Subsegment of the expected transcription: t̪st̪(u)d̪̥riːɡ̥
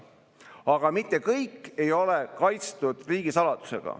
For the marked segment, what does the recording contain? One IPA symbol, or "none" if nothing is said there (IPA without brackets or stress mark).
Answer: u